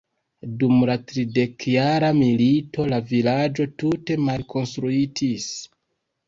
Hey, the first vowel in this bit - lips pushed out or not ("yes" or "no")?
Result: yes